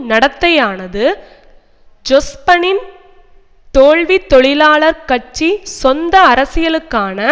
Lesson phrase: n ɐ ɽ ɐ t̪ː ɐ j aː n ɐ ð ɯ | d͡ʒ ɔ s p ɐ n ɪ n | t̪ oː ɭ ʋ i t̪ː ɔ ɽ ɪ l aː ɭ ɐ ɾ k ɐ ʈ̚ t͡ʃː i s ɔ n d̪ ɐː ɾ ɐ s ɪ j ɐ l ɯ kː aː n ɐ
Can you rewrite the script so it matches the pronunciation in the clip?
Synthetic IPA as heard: n ɐ ɽ ɐ t̪ː ɐ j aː n ɐ ð ɯ | d͡ʒ ɔ s p ɐ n ɪ n | t̪ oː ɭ ʋ i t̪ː ɔ ɭ ɪ l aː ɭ ɐ ɾ k ɐ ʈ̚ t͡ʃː i s ɔ n d̪ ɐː ɾ ɐ s ɪ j ɐ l ɯ kː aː n ɐ

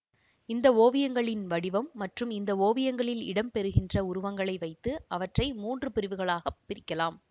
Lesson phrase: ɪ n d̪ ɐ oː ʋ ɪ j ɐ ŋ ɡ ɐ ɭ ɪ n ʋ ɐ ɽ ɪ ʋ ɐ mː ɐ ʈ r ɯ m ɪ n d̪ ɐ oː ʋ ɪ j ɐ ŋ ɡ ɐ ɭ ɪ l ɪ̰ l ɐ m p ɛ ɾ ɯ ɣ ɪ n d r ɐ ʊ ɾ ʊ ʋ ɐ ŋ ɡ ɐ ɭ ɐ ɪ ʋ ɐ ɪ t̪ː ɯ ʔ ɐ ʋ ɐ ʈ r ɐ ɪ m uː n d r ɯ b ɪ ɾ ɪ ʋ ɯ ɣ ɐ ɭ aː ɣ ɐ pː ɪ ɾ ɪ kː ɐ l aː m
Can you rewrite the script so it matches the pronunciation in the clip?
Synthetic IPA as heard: ɪ n d̪ ɐ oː ʋ ɪ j ɐ ŋ ɡ ɐ ɭ ɪ n ʋ ɐ ɽ ɪ ʋ ɐ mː ɐ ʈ r ɯ m ɪ n d̪ ɐ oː ʋ ɪ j ɐ ŋ ɡ ɐ ɭ ɪ l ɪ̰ ɽ ɐ m p ɛ ɾ ɯ ɣ ɪ n d r ɐ ʊ ɾ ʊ ʋ ɐ ŋ ɡ ɐ ɭ ɐ ɪ ʋ ɐ ɪ t̪ː ɯ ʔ ɐ ʋ ɐ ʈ r ɐ ɪ m uː n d r ɯ p ɪ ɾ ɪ ʋ ɯ ɣ ɐ ɭ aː ɣ ɐ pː ɪ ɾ ɪ kː ɐ l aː m

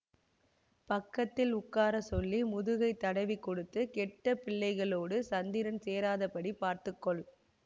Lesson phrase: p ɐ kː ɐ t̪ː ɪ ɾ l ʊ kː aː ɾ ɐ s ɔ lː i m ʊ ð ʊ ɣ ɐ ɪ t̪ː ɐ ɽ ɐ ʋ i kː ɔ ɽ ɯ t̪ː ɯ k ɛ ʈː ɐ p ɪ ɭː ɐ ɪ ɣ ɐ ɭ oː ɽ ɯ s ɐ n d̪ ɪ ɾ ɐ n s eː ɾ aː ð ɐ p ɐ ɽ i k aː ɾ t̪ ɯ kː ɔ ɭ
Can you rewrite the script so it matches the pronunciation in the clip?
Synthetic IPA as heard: p ɐ kː ɐ t̪ː ɪ l ʊ kː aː ɾ ɐ s ɔ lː i m ʊ ð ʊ ɣ ɐ ɪ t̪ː ɐ ɽ ɐ ʋ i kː ɔ ɽ ɯ t̪ː ɯ k ɛ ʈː ɐ p ɪ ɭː ɐ ɪ ɣ ɐ ɭ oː ɽ ɯ s ɐ n d̪ ɪ ɾ ɐ n s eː ɾ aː ð ɐ p ɐ ɽ i p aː ɾ t̪ ɯ kː ɔ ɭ

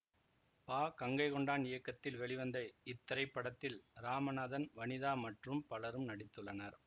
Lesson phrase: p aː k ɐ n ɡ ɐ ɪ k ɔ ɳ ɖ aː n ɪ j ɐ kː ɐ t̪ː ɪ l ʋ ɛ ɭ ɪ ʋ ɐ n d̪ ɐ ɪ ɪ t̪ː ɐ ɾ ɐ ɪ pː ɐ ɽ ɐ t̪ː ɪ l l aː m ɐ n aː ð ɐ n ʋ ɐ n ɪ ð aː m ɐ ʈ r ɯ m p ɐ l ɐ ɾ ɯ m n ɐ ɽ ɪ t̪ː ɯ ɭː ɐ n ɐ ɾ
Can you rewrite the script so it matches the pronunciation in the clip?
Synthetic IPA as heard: p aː k ɐ ŋ ɡ ɐ ɪ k ɔ ɳ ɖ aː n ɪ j ɐ kː ɐ t̪ː ɪ l ʋ ɛ ɭ ɪ ʋ ɐ n d̪ ɐ ɪ ɪ t̪ː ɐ ɾ ɐ ɪ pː ɐ ɽ ɐ t̪ː ɪ l ɾ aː m ɐ n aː ð ɐ n ʋ ɐ n ɪ ð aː m ɐ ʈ r ɯ m p ɐ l ɐ ɾ ɯ m n ɐ ɽ ɪ t̪ː ɯ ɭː ɐ n ɐ ɾ

